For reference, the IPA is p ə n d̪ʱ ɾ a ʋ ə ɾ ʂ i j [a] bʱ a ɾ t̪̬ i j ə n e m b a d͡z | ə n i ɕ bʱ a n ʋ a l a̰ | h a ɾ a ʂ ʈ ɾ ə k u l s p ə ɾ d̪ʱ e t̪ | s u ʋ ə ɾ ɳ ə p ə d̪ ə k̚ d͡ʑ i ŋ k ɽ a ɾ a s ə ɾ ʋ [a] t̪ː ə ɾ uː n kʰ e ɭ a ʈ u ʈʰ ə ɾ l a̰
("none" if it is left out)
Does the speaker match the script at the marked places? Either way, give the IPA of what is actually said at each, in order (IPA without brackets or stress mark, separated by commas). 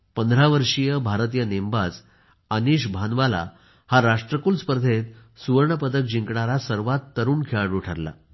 ə, a